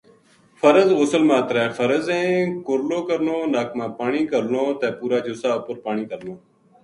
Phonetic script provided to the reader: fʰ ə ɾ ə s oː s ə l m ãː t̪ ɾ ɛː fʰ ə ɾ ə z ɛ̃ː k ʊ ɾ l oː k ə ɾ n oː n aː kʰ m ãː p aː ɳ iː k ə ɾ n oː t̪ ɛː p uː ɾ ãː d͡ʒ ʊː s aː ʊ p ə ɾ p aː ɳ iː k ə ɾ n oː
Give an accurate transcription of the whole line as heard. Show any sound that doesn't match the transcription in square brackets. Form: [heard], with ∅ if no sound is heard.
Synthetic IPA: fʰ ə ɾ ə [z] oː s ə l m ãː t̪ ɾ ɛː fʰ ə ɾ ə z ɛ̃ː k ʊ ɾ l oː k ə ɾ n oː n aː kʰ m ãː p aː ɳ iː k ə ɾ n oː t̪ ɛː p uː ɾ [aː] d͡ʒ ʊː s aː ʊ p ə ɾ p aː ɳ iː k ə ɾ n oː